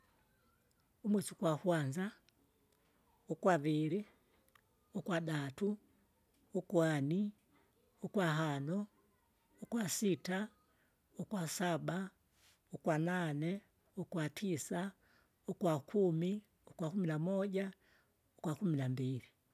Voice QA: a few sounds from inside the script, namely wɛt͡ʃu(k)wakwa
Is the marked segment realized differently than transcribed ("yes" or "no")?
no